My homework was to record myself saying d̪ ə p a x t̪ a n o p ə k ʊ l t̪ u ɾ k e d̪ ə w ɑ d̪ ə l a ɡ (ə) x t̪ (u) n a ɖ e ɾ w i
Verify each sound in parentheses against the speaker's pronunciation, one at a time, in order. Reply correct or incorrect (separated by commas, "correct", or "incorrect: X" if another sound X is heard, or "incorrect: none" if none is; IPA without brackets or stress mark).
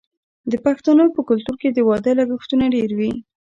correct, correct